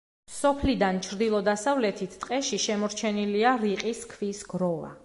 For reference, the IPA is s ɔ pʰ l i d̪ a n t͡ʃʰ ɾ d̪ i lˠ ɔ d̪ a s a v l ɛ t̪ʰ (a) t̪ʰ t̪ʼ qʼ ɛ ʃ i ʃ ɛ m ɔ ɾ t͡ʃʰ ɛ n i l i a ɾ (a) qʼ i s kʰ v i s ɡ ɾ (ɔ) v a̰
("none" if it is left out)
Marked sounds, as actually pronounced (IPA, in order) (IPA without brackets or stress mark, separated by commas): i, i, ɔ